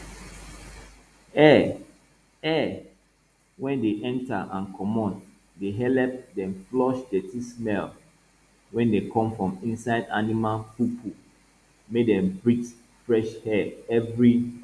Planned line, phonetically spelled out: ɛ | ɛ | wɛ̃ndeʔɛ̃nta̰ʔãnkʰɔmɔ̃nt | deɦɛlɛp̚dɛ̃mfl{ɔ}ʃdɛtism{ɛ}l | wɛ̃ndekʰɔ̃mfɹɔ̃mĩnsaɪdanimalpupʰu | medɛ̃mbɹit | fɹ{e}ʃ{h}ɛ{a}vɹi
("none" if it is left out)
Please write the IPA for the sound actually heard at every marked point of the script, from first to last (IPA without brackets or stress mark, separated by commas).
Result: ɔ, ɛ, ɛ, h, ɛ